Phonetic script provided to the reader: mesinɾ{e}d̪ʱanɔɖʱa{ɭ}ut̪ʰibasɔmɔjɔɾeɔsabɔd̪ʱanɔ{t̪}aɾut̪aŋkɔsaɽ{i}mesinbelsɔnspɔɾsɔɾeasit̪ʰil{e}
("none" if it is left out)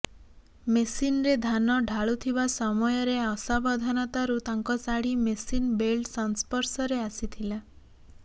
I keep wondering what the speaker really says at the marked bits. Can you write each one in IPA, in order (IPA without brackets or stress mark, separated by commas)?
e, ɭ, t̪, i, a